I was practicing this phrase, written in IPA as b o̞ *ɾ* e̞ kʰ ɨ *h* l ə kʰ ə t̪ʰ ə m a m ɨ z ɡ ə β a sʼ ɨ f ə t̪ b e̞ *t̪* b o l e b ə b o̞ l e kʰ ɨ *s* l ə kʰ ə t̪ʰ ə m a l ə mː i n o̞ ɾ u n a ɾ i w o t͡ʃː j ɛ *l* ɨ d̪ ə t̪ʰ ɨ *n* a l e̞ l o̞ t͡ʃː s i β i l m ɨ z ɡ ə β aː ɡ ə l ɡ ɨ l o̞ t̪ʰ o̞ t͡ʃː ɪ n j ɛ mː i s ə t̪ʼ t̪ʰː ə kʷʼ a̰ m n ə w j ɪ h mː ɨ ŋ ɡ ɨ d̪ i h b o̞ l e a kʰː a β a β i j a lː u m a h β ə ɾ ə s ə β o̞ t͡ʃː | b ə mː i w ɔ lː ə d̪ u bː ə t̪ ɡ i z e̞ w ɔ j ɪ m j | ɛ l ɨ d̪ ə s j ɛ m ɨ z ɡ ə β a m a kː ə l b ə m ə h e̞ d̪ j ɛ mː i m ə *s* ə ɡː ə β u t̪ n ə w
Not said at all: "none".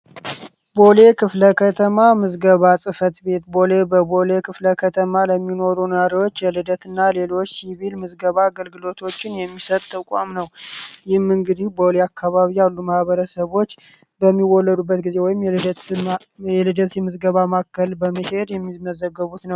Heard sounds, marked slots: l, f, t̪, f, l, nː, z

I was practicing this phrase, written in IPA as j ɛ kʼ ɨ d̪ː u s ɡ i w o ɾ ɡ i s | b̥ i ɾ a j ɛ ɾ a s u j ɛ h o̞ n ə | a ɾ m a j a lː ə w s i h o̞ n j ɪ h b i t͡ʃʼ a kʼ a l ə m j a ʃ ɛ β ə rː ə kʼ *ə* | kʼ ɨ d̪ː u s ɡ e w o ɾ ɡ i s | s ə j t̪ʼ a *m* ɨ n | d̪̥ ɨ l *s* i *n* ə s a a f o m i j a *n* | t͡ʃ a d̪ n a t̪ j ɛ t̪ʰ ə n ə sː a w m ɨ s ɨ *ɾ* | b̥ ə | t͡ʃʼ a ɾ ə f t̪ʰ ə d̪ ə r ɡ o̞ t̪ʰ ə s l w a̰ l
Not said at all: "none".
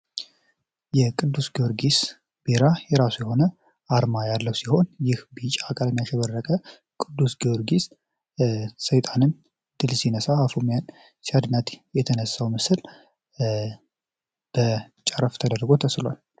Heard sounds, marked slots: ə, n, s, n, n, l

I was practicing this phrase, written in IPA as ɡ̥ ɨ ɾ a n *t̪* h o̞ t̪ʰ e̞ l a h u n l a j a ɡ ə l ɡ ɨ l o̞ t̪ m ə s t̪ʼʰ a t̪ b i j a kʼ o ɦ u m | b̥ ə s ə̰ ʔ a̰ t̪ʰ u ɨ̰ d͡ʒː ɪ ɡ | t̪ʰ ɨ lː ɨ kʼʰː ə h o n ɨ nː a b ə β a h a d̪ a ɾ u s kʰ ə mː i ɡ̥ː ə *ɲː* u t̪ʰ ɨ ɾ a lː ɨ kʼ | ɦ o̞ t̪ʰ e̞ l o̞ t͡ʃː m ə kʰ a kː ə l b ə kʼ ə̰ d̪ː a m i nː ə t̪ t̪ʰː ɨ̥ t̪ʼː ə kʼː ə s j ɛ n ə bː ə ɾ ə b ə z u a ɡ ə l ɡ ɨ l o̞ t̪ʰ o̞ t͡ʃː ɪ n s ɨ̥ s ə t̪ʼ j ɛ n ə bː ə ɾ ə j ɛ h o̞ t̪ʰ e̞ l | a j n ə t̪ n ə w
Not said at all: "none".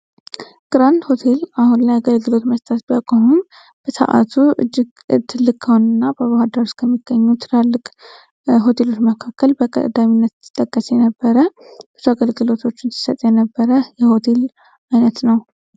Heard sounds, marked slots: d̪, ɲː

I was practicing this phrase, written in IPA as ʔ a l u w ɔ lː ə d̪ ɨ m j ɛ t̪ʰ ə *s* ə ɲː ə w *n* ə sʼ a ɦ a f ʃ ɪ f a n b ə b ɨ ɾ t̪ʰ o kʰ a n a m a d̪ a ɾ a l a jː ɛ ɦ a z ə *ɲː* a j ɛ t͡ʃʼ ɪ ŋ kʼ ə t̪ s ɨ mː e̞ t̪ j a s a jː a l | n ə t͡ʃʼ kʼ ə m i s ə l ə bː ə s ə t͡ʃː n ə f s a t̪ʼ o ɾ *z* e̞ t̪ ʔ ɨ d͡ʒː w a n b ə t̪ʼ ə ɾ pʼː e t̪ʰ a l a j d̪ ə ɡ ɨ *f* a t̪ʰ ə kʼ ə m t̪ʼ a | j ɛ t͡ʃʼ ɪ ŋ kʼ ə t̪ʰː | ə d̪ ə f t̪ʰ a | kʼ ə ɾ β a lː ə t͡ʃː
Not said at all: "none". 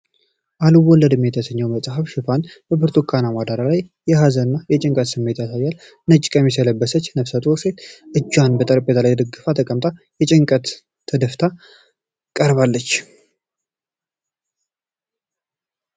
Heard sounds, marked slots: s, m, nː, s, f

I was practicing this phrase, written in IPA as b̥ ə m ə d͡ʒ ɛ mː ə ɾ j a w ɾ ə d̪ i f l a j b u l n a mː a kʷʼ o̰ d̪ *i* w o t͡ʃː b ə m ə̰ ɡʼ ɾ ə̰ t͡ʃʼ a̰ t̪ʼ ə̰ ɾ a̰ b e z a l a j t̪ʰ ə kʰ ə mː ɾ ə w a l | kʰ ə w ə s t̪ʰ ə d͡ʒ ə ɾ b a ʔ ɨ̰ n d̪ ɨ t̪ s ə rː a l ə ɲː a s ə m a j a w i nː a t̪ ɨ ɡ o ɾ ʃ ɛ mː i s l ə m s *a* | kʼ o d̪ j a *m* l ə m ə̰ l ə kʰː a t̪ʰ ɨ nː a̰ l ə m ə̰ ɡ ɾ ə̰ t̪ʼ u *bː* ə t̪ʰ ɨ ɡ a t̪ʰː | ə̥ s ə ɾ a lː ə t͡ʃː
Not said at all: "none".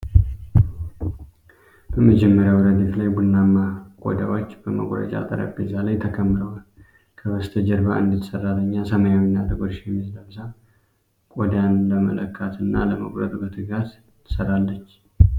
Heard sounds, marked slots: a, a, n, b

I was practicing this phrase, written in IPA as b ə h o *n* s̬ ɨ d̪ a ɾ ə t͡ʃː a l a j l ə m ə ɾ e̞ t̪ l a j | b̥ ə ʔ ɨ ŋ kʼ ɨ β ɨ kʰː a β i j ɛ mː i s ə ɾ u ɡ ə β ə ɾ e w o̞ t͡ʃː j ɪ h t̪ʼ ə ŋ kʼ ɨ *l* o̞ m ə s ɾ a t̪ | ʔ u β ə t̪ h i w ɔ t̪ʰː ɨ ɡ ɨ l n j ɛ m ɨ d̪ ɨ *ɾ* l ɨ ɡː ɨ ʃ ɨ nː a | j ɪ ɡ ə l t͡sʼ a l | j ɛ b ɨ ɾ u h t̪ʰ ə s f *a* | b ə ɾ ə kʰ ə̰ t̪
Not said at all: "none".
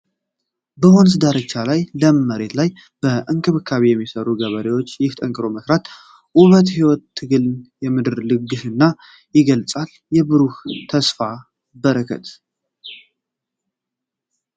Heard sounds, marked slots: n, ɾ, ɾ, a

